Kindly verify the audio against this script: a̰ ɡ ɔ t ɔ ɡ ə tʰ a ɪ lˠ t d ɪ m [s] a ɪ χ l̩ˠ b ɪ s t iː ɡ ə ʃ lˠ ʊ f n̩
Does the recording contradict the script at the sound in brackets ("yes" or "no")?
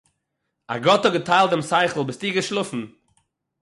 no